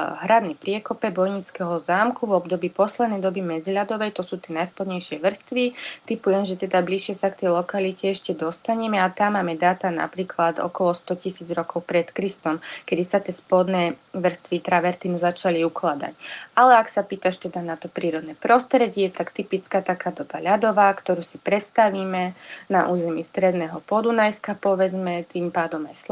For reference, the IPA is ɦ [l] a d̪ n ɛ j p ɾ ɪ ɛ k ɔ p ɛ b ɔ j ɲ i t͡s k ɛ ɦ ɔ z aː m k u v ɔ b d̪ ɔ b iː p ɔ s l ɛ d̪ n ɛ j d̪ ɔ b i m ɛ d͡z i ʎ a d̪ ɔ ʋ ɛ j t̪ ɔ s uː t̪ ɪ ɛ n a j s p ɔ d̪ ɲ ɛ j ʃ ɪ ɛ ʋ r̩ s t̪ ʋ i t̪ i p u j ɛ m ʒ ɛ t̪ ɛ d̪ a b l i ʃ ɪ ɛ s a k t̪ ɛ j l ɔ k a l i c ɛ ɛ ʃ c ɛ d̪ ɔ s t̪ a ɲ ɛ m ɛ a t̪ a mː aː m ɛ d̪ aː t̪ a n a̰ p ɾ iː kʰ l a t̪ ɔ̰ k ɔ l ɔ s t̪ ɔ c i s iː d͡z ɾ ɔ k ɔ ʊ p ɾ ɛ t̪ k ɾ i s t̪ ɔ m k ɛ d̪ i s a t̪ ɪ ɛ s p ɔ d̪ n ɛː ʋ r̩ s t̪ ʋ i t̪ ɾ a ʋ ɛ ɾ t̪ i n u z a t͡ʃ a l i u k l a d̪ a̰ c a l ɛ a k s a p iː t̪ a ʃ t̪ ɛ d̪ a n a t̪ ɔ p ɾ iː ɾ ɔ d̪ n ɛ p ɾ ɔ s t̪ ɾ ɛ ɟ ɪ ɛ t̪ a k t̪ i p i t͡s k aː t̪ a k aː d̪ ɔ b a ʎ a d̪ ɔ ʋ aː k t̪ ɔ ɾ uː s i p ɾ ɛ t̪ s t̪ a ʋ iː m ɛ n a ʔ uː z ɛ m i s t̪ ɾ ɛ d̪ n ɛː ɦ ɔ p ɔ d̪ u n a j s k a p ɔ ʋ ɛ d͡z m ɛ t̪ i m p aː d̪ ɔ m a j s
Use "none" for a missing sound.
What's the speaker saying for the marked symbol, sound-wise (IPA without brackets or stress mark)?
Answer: ɾ